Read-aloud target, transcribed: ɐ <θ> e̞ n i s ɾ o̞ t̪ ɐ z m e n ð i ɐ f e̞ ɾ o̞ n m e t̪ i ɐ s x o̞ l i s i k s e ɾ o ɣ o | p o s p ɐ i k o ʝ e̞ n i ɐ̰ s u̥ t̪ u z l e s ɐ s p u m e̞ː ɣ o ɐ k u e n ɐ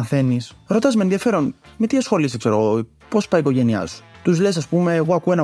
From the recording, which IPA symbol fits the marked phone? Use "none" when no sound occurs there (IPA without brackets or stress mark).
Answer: θ